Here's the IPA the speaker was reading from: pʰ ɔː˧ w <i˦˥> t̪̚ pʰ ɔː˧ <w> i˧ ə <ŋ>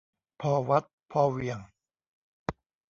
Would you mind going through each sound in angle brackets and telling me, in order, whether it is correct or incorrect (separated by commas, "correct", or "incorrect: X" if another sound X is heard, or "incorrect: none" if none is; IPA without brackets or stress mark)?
incorrect: a˦˥, correct, correct